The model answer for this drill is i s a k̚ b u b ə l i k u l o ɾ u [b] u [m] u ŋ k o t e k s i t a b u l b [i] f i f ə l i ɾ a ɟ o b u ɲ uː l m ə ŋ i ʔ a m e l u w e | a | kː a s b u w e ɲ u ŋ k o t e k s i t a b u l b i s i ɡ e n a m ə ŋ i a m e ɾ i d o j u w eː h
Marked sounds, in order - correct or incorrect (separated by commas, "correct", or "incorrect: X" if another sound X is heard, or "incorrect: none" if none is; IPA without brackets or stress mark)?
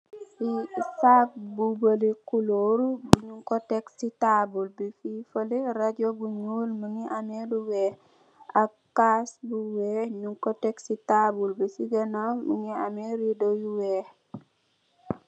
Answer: correct, incorrect: ɲ, correct